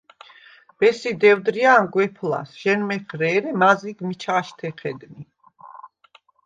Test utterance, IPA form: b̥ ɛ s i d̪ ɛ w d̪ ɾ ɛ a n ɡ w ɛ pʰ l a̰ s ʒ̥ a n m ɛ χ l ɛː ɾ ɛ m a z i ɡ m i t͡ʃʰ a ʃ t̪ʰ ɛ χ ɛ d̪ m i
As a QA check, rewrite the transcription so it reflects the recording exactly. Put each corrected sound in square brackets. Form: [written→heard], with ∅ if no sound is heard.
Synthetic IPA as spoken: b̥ ɛ s i d̪ ɛ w d̪ ɾ [ɛ→i] a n ɡ w ɛ pʰ l a̰ s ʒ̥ [a→ɛ] n m ɛ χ [l→ɾ] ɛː ɾ ɛ m a z i ɡ m i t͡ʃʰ a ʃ t̪ʰ ɛ χ ɛ d̪ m i